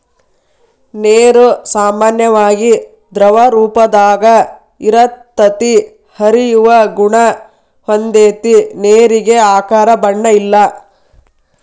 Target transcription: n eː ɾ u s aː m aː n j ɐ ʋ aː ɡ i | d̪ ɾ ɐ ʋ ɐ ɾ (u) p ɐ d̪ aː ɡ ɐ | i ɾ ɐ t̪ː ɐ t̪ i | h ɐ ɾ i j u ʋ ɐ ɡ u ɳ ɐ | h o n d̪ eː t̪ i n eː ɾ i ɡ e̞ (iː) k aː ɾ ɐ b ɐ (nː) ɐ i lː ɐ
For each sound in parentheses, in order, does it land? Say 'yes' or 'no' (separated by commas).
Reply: no, no, no